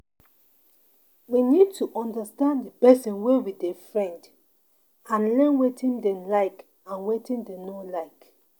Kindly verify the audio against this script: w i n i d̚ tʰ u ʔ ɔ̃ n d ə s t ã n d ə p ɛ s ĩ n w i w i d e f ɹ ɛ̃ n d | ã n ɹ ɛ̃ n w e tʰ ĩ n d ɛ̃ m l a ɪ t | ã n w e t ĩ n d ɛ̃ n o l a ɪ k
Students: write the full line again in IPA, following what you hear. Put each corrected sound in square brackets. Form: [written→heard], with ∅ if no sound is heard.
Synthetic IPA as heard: w i n i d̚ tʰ u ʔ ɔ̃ n d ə s t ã n d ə p ɛ s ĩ n w [i→e] w i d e f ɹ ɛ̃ n d | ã n [ɹ→l] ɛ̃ n w e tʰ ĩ n d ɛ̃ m l a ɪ [t→k] | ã n w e t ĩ n d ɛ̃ n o l a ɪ k